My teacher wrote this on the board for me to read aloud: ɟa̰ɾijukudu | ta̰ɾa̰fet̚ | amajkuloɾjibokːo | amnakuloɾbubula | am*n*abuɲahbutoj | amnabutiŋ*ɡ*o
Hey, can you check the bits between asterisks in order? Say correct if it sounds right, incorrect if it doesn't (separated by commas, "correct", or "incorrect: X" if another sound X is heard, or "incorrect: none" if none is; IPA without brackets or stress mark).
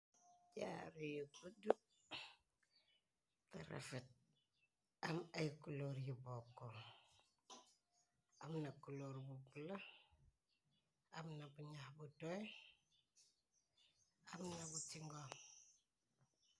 correct, correct